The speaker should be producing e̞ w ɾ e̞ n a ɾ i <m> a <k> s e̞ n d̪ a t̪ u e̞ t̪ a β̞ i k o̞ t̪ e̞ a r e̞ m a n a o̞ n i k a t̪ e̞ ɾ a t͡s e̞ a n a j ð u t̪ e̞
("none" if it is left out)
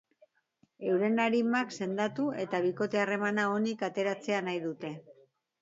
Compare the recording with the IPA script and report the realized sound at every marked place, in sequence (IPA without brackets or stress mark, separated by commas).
m, k